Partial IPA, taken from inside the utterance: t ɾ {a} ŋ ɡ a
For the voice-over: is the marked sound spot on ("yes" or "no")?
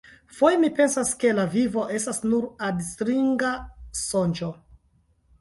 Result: no